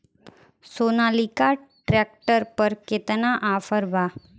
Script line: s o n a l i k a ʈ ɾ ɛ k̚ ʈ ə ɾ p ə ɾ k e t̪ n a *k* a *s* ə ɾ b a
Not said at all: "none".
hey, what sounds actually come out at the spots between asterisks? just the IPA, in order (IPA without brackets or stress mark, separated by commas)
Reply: ʔ, f